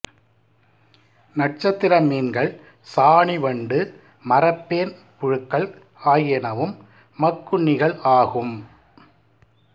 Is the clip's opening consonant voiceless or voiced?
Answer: voiced